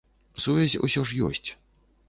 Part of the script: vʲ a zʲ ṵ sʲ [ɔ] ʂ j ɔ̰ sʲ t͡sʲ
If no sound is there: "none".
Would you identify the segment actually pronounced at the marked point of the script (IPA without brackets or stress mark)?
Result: ɔ